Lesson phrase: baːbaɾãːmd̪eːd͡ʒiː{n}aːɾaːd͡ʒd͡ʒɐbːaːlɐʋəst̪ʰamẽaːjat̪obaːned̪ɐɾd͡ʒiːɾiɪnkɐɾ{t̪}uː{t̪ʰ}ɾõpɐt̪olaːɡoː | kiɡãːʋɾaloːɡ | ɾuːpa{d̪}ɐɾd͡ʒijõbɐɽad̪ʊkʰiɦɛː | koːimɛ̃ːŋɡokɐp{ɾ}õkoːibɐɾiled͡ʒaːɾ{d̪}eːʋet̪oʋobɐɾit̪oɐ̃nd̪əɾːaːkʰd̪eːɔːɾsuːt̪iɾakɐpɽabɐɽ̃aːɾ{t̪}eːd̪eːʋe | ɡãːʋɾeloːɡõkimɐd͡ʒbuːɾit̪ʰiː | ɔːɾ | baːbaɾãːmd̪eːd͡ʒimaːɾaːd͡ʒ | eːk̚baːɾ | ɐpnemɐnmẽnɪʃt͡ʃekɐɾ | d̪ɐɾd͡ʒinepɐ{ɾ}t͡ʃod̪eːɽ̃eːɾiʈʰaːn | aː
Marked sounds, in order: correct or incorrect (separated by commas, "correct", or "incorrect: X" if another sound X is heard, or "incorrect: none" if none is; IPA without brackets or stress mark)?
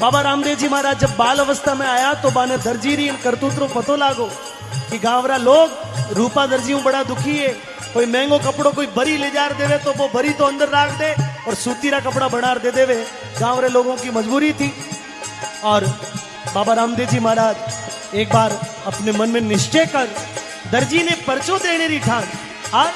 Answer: incorrect: m, correct, incorrect: t̪, correct, incorrect: ɽ, correct, incorrect: d̪, correct